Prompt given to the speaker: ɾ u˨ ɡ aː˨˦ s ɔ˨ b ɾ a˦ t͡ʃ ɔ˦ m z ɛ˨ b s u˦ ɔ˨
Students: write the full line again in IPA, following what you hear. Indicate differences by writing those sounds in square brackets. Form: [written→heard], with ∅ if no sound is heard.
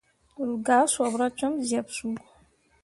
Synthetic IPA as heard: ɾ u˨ ɡ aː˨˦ s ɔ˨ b ɾ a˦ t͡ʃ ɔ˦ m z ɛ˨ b s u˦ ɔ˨

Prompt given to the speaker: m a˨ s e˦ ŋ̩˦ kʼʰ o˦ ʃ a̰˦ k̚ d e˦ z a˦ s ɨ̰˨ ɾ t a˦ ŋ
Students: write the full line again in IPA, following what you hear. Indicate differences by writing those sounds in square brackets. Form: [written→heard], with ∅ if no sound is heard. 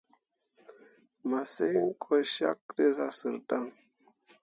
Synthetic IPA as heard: m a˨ s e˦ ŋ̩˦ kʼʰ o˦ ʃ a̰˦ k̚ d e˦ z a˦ s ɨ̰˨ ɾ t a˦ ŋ

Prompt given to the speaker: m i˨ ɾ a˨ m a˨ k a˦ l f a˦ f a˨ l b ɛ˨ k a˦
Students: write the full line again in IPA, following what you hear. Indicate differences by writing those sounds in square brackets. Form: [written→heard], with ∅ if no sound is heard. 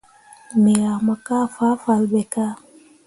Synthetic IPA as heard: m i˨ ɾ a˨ m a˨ k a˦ [l→∅] f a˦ f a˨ l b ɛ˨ k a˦

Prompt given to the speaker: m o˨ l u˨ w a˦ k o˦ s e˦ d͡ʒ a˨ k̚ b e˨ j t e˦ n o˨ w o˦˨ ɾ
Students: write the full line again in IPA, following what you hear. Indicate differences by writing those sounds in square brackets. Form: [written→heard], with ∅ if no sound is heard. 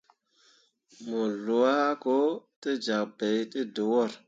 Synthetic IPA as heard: m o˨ l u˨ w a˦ k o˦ [s→t] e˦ d͡ʒ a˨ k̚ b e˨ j t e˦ [n→d] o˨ w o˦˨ ɾ

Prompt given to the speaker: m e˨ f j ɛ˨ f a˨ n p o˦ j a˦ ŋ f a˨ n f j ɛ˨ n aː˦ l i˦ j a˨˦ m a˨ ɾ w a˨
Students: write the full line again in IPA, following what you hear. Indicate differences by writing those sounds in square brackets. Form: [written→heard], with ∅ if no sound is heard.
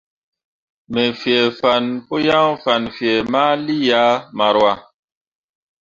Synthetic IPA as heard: m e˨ f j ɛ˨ f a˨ n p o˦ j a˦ ŋ f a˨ n f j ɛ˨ [n→m] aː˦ l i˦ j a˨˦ m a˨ ɾ w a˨

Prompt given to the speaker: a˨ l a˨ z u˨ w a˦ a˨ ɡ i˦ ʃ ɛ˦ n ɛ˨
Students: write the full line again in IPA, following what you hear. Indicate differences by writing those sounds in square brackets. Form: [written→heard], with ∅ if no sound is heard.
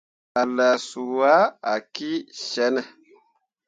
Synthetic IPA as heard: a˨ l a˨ [z→s] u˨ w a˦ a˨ [ɡ→k] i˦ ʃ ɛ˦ n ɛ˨

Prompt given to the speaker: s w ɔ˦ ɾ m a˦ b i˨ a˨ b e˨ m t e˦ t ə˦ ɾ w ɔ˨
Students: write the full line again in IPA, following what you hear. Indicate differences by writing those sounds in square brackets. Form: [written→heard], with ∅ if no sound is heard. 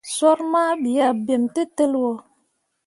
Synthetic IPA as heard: s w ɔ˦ ɾ m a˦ b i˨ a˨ b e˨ m t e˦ t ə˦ [ɾ→l] w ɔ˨

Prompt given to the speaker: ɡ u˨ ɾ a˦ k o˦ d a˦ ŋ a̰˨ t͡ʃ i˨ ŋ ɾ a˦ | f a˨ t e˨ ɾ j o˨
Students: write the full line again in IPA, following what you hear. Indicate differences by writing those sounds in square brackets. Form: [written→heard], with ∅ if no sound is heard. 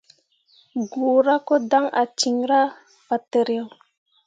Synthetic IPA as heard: ɡ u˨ ɾ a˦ k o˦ d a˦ ŋ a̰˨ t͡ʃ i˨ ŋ ɾ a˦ | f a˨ t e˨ ɾ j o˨

